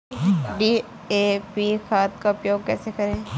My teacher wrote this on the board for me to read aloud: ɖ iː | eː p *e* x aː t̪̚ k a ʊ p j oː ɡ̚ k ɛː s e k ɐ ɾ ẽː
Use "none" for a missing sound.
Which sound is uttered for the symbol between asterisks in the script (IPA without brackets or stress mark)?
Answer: i